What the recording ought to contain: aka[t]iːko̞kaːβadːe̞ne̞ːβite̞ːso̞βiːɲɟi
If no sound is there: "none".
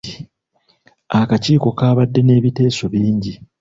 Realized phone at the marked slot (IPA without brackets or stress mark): c